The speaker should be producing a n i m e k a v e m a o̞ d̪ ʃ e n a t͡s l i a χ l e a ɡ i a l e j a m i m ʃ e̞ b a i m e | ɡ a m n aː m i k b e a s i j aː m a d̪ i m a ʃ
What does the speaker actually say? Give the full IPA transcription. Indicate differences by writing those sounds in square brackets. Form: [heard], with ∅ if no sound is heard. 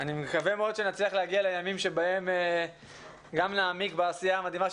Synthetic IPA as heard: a n i m e k a v e m [e] o̞ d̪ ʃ e n a t͡s l i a χ l e a ɡ i a l e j a m i m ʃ e̞ b a [e] m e | ɡ a m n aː m i k b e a s i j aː m a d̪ i m a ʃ